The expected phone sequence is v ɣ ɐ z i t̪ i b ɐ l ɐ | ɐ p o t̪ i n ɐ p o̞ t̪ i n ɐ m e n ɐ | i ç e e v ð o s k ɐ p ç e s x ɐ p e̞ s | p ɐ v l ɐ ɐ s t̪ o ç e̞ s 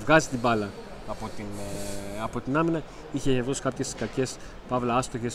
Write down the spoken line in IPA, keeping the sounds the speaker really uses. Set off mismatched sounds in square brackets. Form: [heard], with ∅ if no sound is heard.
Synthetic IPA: v ɣ ɐ z i t̪ i b ɐ l ɐ | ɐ p o t̪ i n ɐ p o̞ t̪ i n ɐ m [i] n ɐ | i ç e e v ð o s k ɐ p ç e s [k] ɐ [c] e̞ s | p ɐ v l ɐ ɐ s t̪ o ç e̞ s